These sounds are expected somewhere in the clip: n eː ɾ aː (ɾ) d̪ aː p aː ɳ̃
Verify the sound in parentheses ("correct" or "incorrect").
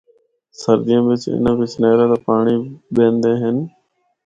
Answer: incorrect